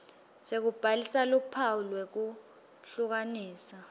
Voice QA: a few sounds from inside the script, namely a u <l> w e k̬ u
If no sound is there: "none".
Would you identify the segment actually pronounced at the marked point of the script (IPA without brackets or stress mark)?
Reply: l